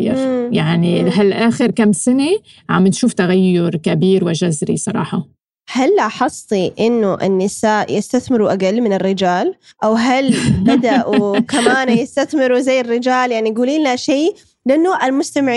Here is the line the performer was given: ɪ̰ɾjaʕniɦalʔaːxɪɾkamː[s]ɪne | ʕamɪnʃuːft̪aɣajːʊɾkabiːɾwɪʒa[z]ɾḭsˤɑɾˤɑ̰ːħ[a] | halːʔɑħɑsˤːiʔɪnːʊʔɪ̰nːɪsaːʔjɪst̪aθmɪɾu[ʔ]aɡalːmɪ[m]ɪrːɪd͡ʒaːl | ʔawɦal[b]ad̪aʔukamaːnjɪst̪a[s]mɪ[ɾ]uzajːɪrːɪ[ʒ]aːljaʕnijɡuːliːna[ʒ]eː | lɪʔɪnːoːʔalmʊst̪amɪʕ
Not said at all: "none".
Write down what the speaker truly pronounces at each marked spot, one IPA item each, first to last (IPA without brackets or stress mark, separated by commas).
s, z, ɑ, ʔ, n, b, θ, ɾ, d͡ʒ, ʃ